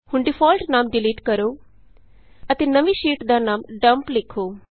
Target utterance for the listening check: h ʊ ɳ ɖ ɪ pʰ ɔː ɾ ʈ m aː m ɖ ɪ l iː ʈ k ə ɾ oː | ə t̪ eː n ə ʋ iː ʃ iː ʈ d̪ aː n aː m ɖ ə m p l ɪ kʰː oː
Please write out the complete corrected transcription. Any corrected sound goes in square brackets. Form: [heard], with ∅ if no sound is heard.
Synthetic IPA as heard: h ʊ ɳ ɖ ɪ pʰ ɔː [l] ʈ [n] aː m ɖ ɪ l iː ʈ k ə ɾ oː | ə t̪ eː n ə ʋ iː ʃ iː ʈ d̪ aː n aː m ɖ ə m p l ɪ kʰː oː